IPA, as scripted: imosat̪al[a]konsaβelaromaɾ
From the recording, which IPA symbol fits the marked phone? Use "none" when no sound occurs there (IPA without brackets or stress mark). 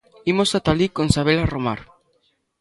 i